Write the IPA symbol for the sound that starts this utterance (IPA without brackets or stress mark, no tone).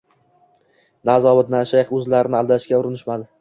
n